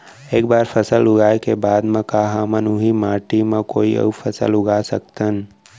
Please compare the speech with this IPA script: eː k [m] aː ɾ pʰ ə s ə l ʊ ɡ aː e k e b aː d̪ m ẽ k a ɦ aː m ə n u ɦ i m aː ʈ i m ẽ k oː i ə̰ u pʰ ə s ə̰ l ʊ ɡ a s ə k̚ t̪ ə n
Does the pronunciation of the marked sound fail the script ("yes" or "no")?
yes